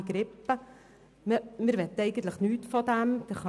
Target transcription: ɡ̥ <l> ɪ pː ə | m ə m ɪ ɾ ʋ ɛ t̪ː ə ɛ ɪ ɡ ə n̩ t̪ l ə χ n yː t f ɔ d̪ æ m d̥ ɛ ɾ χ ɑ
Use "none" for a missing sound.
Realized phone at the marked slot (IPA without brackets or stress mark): ɾ